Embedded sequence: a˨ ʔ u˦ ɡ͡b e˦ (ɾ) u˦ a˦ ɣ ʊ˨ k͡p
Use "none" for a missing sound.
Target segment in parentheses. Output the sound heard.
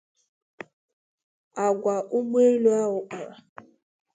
l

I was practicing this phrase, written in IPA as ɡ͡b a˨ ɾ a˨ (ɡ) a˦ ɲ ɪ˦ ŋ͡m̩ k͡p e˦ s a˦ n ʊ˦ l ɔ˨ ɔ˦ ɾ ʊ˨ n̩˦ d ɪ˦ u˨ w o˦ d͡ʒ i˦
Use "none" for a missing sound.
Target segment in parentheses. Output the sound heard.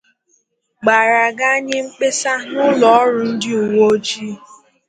ɡ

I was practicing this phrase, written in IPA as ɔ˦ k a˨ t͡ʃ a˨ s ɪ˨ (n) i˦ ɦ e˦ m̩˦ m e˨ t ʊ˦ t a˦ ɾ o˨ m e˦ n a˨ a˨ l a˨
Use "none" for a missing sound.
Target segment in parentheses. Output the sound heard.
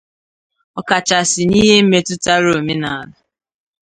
n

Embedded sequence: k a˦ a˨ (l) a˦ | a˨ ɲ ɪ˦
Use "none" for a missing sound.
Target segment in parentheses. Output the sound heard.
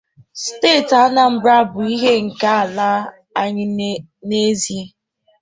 l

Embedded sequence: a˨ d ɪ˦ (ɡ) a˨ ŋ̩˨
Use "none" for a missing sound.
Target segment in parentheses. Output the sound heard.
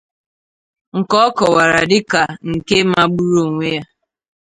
k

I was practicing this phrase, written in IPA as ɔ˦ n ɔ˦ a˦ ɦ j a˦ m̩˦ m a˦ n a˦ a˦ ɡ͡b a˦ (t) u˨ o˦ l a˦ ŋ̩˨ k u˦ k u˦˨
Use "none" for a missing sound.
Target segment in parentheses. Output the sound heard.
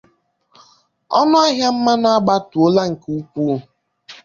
t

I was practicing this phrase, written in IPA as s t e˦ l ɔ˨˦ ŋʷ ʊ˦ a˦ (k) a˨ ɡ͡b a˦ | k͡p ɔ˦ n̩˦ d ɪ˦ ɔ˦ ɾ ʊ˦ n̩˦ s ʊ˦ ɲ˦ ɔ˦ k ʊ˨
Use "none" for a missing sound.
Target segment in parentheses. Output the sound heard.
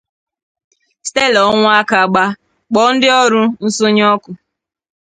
k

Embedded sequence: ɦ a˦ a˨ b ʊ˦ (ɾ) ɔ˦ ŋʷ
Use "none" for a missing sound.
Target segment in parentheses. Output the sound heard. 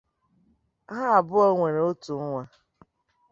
none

